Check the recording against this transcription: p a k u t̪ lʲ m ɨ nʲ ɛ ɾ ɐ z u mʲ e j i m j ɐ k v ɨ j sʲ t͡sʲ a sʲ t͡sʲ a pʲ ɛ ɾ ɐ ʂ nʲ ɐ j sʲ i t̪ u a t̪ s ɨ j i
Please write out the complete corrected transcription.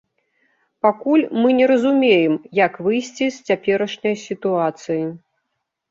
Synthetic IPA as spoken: p a k u lʲ m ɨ nʲ ɛ ɾ ɐ z u mʲ e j ɛ m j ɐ k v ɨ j sʲ t͡sʲ i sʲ t͡sʲ a pʲ ɛ ɾ ɐ ʂ nʲ ɐ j sʲ i t̪ u a t̪ s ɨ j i